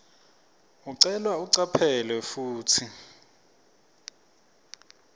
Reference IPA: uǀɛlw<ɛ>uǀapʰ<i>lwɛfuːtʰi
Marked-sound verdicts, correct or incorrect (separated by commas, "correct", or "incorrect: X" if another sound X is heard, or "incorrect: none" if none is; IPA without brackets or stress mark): incorrect: a, incorrect: ɛ